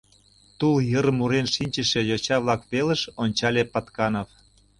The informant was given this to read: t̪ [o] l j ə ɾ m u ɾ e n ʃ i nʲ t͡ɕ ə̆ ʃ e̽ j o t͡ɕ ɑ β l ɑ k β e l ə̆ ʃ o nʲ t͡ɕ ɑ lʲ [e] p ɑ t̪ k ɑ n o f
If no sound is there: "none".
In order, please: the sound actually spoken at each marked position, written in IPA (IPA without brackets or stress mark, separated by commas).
u, e